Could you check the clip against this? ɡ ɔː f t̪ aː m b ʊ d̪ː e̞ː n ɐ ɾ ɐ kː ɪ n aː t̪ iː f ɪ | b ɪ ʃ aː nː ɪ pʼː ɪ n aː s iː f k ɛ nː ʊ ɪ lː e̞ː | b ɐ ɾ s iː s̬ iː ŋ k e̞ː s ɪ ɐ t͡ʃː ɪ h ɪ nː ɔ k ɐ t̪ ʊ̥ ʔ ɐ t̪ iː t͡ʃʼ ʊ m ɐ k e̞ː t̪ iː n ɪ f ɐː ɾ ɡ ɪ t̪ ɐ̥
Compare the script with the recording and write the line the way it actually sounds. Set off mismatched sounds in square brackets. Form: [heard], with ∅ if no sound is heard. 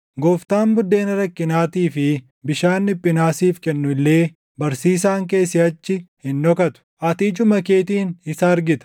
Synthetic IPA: ɡ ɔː f t̪ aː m b ʊ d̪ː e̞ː n ɐ ɾ ɐ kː ɪ n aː t̪ iː f ɪ | b ɪ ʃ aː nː ɪ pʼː ɪ n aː s iː f k ɛ nː ʊ ɪ lː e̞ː | b ɐ ɾ s iː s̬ [aː] ŋ k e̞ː s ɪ ɐ t͡ʃː ɪ h ɪ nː ɔ k ɐ t̪ ʊ̥ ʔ ɐ t̪ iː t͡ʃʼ ʊ m ɐ k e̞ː t̪ iː n ɪ [s] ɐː ɾ ɡ ɪ t̪ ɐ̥